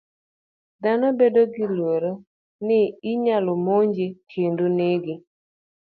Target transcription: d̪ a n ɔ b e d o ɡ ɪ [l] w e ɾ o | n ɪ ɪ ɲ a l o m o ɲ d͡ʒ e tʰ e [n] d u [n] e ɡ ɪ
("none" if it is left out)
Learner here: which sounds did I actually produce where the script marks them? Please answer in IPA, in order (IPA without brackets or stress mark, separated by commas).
l, n, n